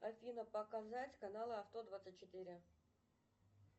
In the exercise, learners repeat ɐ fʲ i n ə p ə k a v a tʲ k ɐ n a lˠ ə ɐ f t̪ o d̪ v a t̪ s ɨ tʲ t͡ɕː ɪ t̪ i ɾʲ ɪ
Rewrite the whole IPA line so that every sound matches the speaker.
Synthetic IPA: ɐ fʲ i n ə p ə k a z a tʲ k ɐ n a lˠ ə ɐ f t̪ o d̪ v a t̪ s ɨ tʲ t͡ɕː ɪ t̪ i ɾʲ ɪ